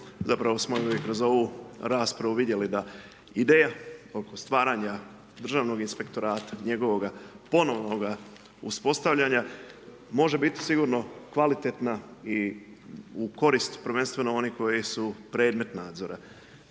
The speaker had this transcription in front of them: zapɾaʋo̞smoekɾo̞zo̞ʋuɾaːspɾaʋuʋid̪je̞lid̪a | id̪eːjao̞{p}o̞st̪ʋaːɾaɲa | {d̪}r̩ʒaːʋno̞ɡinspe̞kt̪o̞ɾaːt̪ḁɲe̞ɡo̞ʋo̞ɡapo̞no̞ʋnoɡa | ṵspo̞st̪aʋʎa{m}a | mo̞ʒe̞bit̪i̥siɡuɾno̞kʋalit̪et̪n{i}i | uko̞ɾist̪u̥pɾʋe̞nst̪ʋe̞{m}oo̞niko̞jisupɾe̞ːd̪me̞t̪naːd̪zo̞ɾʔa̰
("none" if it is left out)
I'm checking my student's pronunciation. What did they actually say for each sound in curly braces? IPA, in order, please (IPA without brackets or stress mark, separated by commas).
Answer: k, d̪, ɲ, a, n